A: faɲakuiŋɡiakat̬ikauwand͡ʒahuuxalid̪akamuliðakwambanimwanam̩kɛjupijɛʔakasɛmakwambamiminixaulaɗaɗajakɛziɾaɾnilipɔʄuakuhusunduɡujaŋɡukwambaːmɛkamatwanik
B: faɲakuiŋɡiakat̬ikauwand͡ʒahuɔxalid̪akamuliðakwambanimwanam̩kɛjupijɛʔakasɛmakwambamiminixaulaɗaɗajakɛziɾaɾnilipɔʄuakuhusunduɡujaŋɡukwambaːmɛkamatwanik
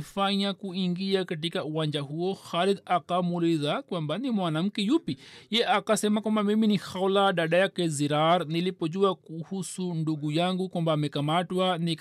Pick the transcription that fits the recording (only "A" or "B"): B